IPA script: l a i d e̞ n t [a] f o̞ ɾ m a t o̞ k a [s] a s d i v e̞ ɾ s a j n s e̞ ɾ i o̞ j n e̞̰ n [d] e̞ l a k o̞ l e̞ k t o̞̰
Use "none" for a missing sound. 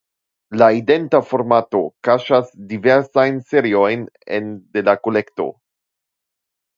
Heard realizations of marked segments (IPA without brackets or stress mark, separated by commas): a, ʃ, d